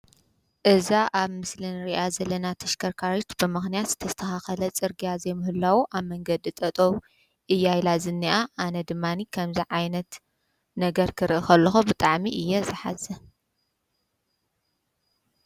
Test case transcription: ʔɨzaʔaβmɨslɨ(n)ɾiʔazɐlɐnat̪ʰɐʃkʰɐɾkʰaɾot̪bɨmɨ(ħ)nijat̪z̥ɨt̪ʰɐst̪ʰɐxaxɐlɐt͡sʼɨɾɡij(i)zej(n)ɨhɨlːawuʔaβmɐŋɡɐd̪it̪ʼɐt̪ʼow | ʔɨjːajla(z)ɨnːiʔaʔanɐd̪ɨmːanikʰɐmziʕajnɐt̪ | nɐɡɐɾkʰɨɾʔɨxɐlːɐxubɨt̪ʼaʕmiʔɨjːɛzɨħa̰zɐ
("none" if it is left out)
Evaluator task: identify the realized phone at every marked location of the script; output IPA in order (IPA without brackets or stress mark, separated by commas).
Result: n, x, a, m, z